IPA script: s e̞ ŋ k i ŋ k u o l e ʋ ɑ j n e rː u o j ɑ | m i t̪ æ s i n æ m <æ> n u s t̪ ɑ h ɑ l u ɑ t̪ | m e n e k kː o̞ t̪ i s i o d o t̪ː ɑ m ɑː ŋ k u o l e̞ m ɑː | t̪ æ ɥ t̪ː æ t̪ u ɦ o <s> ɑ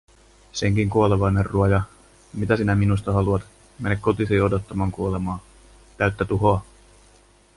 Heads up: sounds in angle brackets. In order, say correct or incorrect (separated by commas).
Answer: incorrect, incorrect